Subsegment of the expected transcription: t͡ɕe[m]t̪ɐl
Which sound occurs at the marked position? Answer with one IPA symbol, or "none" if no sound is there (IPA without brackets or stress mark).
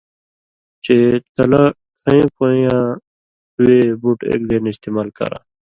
none